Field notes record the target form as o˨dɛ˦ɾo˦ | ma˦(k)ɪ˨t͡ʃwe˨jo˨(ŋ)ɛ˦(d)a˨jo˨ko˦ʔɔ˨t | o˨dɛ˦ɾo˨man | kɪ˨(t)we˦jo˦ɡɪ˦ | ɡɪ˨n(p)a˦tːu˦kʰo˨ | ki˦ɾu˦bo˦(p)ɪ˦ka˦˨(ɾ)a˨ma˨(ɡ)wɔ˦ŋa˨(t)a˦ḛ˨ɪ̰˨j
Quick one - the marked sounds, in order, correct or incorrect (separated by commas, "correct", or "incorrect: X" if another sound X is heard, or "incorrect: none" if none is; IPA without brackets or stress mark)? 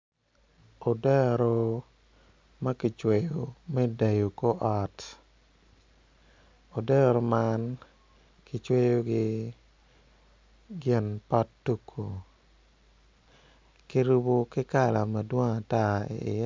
correct, incorrect: m, correct, incorrect: t͡ʃ, correct, incorrect: k, incorrect: l, incorrect: d, correct